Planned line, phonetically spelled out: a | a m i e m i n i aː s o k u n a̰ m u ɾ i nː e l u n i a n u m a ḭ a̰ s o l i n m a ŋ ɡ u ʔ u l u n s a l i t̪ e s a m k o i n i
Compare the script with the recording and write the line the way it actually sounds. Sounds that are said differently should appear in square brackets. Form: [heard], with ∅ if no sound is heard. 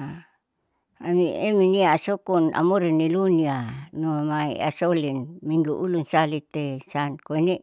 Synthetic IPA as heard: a | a m i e m i n i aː s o k u n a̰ m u ɾ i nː [i] l u n i a n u m a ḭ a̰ s o l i n m [i] ŋ ɡ u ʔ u l u n s a l i t̪ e s a [n] k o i n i